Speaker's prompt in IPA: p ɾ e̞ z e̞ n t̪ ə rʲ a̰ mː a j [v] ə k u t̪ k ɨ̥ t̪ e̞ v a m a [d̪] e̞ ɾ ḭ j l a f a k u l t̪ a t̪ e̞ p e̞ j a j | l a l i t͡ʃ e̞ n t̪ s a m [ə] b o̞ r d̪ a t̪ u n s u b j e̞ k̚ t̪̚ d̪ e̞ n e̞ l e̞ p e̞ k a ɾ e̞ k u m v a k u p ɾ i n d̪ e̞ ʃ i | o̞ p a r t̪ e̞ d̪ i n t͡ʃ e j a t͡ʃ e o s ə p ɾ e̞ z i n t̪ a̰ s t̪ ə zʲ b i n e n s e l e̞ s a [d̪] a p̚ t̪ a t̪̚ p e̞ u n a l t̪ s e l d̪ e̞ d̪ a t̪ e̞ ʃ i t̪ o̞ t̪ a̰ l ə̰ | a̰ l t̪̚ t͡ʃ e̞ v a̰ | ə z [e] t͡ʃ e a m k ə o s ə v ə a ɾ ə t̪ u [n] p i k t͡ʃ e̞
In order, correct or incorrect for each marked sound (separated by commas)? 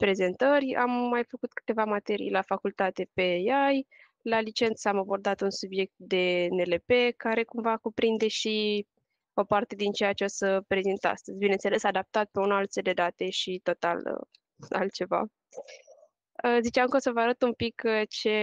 incorrect, incorrect, incorrect, correct, incorrect, incorrect